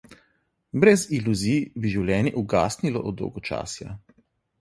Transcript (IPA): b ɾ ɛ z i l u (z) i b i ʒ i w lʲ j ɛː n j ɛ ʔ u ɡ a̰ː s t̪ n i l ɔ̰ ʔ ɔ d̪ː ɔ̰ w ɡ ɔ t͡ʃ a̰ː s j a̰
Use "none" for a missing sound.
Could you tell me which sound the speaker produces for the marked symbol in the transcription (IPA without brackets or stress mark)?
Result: z